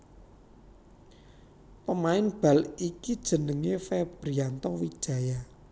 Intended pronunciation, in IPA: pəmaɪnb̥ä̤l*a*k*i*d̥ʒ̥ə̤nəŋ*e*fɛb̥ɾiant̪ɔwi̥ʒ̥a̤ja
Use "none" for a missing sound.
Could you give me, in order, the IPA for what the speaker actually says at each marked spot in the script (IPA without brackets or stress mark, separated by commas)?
i, i, e